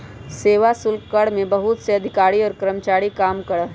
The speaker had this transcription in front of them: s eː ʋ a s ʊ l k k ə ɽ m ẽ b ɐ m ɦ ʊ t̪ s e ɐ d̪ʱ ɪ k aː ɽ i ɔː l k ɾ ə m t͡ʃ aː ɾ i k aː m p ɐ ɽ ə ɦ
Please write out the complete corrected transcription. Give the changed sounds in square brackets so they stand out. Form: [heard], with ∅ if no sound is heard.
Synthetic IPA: s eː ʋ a s ʊ l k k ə ɽ m ẽ b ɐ [∅] ɦ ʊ t̪ s e ɐ d̪ʱ ɪ k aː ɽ i ɔː [ɾ] k ɾ ə m t͡ʃ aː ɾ i k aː m [k] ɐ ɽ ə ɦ